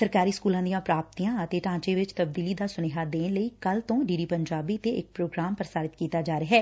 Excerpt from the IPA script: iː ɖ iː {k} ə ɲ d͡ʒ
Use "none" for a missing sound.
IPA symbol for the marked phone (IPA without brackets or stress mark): p